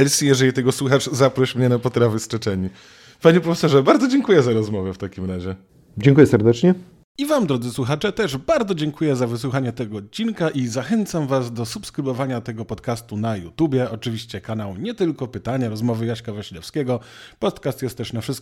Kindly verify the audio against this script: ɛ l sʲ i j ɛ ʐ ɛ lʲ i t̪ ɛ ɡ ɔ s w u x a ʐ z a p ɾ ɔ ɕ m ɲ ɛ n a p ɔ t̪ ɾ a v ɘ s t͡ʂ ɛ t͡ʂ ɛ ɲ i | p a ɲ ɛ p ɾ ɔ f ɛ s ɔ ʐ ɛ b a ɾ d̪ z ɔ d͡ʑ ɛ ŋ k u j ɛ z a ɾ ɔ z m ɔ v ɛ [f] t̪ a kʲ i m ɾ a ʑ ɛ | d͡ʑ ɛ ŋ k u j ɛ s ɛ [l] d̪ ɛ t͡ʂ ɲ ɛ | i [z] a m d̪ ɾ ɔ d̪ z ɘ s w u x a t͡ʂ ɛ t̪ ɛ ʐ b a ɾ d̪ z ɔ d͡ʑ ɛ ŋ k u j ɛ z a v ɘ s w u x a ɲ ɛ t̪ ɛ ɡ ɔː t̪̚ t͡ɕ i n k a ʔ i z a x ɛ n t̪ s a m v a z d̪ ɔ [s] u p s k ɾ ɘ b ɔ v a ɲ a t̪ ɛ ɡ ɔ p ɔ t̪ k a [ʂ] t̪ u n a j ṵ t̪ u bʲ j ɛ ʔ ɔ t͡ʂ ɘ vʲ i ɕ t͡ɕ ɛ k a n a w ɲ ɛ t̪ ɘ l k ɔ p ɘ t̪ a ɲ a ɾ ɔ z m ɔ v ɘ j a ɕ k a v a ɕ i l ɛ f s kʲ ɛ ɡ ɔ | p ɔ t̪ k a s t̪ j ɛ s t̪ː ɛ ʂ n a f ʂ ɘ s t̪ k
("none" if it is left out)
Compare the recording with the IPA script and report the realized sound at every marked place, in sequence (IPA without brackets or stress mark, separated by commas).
f, ɾ, v, s, s